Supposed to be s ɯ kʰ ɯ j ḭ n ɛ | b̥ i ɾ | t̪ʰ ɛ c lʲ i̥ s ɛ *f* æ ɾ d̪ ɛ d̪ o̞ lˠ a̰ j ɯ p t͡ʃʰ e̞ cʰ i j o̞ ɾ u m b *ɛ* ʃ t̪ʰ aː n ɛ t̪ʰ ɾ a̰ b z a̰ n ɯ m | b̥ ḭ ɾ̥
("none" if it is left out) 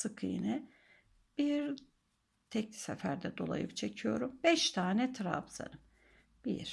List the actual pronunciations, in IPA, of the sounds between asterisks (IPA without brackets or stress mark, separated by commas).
f, ɛ